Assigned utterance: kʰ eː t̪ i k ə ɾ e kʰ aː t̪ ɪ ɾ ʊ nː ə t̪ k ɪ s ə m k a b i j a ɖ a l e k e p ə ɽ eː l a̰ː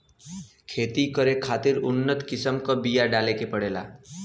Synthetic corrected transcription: kʰ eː t̪ i k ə ɾ e kʰ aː t̪ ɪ ɾ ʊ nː ə t̪ k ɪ s ə m k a b i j a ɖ a l e k e p ə ɽ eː l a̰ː